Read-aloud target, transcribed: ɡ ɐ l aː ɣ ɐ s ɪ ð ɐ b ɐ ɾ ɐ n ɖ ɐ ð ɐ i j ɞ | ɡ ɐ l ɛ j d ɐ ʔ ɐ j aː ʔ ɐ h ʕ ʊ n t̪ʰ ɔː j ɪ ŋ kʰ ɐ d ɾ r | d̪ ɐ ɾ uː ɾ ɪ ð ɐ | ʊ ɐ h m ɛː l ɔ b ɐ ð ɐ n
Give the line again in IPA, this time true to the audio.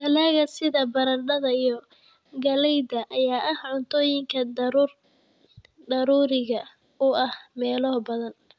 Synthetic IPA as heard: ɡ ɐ l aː ɣ ɐ s ɪ ð ɐ b ɐ ɾ ɐ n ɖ ɐ ð ɐ i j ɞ | ɡ ɐ l ɛ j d ɐ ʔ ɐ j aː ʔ ɐ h ʕ ʊ n t̪ʰ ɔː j ɪ ŋ kʰ ɐ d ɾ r | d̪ ɐ ɾ uː ɾ ɪ ɣ ɐ | ʊ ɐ h m ɛː l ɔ b ɐ ð ɐ n

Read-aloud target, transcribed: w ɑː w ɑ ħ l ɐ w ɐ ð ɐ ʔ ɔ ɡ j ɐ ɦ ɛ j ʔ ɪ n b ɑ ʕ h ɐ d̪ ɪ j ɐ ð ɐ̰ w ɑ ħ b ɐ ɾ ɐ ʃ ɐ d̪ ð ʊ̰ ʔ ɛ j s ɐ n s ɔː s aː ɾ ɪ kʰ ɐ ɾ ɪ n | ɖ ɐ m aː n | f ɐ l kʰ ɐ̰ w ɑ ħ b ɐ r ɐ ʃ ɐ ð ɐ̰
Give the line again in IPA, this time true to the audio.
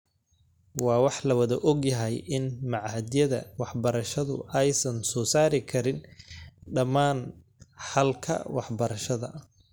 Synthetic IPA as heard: w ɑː w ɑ ħ l ɐ w ɐ ð ɐ ʔ ɔ ɡ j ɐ ɦ ɛ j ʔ ɪ n m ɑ ʕ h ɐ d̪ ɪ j ɐ ð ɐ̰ w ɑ ħ b ɐ ɾ ɐ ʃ ɐ ð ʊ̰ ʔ ɛ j s ɐ n s ɔː s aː ɾ ɪ kʰ ɐ ɾ ɪ n | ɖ ɐ m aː n | ħ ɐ l kʰ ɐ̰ w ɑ ħ b ɐ ɾ ɐ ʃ ɐ ð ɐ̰

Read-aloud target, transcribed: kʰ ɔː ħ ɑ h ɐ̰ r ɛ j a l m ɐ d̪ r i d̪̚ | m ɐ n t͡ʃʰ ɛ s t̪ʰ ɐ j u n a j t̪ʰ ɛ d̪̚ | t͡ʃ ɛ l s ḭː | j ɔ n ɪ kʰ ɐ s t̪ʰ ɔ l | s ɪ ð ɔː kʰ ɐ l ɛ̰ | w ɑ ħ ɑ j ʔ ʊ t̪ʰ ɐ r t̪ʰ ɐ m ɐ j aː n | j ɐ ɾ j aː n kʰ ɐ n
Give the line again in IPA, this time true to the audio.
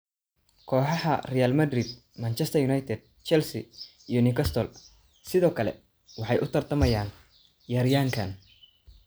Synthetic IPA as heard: kʰ ɔː ħ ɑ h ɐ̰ r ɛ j a l m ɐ d̪ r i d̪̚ | m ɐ n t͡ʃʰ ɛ s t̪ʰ ɐ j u n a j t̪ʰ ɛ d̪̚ | t͡ʃ ɛ l s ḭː | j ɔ n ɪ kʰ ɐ s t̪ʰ ɔ l | s ɪ ð ɔː kʰ ɐ l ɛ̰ | w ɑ ħ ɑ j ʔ ʊ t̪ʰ ɐ r t̪ʰ ɐ m ɐ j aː n | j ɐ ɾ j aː ŋ kʰ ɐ n

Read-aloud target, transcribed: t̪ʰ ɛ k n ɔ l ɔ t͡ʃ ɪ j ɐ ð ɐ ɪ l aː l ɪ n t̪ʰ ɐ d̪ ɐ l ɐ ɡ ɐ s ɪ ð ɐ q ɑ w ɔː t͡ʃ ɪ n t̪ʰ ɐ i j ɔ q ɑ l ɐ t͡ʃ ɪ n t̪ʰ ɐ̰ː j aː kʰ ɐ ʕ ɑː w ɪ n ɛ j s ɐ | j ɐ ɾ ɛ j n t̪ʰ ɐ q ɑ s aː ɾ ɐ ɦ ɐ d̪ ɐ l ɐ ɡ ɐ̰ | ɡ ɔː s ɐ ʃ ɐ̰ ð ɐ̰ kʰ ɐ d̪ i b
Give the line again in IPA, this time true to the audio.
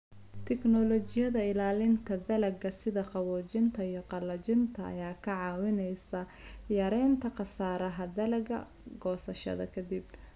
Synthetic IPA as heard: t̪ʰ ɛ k n ɔ l ɔ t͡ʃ ɪ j ɐ ð ɐ ɪ l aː l ɪ n t̪ʰ ɐ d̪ ɐ l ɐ ɡ ɐ s ɪ ð ɐ q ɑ w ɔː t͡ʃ ɪ n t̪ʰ ɐ i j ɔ q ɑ l ɐ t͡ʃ ɪ n t̪ʰ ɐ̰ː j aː kʰ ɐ ʕ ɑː w ɪ n ɛ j s ɐ | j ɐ ɾ ɛ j n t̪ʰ ɐ q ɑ s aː ɾ ɐ ɦ ɐ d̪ ɐ l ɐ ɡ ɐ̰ | ɡ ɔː s ɐ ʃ ɐ̰ ð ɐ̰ kʰ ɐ d̪ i b

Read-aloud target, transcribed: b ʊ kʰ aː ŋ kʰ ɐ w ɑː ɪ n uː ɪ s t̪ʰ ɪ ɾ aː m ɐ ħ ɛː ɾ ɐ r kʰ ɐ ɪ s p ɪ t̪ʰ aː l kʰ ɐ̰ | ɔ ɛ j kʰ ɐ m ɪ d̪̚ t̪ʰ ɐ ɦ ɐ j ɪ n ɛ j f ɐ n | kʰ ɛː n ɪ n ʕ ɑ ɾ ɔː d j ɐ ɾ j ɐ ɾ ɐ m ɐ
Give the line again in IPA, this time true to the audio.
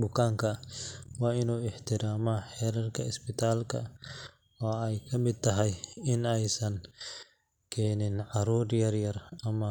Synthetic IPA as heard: b ʊ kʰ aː ŋ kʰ ɐ w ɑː ɪ n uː ɪ ħ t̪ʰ ɪ ɾ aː m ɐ ħ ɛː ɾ ɐ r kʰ ɐ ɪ s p ɪ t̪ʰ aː l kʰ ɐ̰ | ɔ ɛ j kʰ ɐ m ɪ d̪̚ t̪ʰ ɐ ɦ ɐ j ɪ n ɛ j s ɐ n | kʰ ɛː n ɪ n ʕ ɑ ɾ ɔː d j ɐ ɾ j ɐ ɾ ɐ m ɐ

